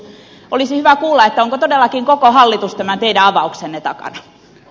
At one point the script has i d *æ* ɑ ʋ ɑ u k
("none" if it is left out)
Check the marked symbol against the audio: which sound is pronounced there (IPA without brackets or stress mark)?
æ